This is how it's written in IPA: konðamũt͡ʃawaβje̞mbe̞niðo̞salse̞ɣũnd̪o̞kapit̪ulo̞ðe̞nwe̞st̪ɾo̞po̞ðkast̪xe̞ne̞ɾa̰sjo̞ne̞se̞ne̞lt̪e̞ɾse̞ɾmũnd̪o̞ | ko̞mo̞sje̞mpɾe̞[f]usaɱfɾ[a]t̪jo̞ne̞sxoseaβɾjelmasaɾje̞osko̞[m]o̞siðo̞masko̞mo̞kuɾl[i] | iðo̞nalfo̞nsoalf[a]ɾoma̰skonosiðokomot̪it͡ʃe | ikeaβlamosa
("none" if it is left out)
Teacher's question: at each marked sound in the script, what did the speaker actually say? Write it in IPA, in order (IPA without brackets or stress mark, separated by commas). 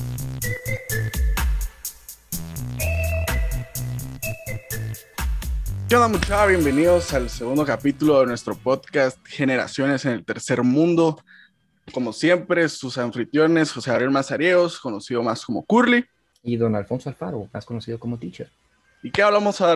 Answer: s, i, n, i, a